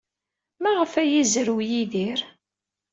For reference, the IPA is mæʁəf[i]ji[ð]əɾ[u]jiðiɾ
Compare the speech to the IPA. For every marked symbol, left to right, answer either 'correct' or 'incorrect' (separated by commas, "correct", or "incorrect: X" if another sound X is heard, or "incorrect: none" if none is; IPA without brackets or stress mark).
incorrect: æ, incorrect: z, incorrect: w